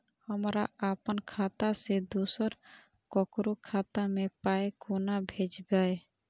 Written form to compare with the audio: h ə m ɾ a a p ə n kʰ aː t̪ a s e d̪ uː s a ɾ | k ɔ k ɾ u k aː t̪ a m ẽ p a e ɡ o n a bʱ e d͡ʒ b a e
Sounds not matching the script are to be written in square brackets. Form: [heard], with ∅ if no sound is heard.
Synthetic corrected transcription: h ə m ɾ a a p ə n kʰ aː t̪ a s e d̪ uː s [ə] ɾ | k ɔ k ɾ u [kʰ] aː t̪ a m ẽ p a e [k] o n a bʱ e d͡ʒ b a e